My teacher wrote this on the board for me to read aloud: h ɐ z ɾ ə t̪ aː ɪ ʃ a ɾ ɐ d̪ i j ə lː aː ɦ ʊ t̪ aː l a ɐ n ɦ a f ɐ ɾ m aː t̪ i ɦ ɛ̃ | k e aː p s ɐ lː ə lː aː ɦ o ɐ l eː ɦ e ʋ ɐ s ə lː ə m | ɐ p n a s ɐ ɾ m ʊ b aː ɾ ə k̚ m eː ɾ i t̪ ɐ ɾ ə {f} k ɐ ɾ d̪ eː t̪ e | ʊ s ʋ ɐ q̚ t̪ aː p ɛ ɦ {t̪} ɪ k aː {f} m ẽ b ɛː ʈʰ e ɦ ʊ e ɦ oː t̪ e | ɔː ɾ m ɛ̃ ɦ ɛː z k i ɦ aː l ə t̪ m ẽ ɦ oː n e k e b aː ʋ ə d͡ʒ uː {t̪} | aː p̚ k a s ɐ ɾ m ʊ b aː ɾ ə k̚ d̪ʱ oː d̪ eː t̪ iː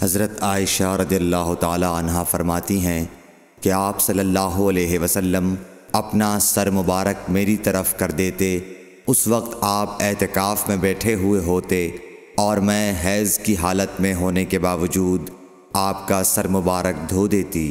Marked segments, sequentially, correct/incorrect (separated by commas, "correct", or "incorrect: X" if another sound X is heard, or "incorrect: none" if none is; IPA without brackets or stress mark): correct, correct, correct, incorrect: d̪